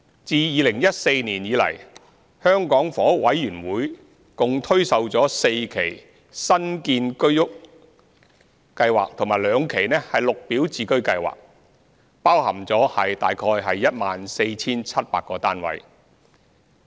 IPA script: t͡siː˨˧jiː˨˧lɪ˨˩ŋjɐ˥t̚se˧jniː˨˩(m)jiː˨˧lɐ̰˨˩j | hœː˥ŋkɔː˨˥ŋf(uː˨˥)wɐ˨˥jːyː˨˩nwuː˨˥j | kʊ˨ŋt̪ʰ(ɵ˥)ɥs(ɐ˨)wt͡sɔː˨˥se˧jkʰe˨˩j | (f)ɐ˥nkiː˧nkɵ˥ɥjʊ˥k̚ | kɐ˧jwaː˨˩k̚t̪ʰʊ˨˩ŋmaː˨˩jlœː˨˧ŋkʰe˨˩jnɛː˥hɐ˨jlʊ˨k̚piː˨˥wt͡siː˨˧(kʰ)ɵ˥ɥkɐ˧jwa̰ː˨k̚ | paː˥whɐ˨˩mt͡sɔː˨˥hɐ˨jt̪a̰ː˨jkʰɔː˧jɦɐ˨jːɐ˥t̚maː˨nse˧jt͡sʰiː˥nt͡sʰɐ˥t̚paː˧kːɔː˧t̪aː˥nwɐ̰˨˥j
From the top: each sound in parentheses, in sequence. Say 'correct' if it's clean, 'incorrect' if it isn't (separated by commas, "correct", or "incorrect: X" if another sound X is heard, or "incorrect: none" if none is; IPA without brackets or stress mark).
incorrect: n, incorrect: ɔː˨˥, correct, correct, incorrect: s, incorrect: k